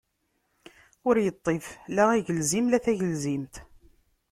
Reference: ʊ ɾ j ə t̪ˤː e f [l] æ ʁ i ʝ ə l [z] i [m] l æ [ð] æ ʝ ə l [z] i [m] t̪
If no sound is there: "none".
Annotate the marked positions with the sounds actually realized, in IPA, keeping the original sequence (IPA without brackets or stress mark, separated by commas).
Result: l, z, m, θ, z, m